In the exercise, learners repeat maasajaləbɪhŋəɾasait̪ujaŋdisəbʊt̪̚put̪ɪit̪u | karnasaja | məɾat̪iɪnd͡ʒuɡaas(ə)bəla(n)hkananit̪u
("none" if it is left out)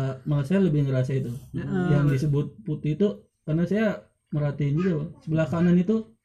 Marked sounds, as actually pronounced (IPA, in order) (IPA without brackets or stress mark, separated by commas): ə, none